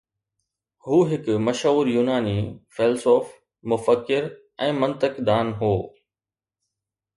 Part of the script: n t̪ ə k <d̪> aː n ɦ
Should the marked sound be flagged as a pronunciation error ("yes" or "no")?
no